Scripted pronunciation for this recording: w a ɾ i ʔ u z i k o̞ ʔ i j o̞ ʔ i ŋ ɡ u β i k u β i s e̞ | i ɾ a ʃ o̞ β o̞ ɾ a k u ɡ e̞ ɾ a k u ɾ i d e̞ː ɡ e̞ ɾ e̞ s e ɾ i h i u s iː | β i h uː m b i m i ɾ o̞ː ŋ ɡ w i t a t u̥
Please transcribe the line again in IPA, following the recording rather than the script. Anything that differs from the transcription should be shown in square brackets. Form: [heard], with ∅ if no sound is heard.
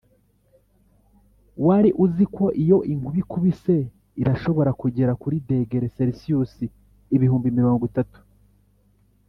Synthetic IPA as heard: w a ɾ i ʔ u z i k o̞ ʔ i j o̞ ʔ i ŋ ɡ u β i k u β i s e̞ | i ɾ a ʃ o̞ β o̞ ɾ a k u [ɟ] e̞ ɾ a k u ɾ i d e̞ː ɡ e̞ ɾ e̞ s e ɾ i [s] i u s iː | β i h uː m b i m i ɾ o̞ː ŋ ɡ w i t a t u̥